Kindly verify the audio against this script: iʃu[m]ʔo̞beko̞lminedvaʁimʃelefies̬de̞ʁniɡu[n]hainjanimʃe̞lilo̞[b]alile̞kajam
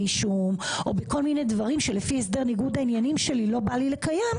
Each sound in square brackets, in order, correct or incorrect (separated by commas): correct, incorrect, correct